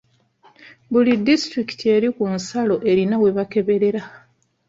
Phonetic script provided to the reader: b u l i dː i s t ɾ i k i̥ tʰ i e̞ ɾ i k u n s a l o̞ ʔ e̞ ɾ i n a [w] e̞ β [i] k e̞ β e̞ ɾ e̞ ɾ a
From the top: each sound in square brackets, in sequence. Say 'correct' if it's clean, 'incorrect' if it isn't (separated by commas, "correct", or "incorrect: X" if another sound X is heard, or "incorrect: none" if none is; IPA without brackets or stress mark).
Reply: correct, incorrect: a